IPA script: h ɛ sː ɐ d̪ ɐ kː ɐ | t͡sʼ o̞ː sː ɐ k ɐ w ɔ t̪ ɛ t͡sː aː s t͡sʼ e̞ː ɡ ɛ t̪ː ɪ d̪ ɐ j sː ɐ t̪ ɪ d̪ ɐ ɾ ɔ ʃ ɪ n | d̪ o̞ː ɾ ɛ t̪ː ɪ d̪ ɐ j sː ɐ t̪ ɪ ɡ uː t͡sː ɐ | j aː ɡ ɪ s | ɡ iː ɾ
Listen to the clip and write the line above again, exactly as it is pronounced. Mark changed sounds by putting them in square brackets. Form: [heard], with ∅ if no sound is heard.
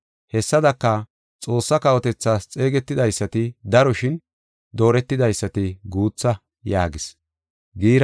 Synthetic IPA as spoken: h ɛ sː ɐ d̪ ɐ kː ɐ | t͡sʼ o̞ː sː ɐ k ɐ w ɔ t̪ ɛ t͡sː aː s t͡sʼ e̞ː ɡ ɛ t̪ː ɪ d̪ ɐ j sː ɐ t̪ ɪ d̪ ɐ ɾ ɔ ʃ ɪ n | d̪ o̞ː ɾ ɛ t̪ː ɪ d̪ ɐ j sː ɐ t̪ ɪ ɡ uː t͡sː ɐ | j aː ɡ ɪ s | ɡ iː ɾ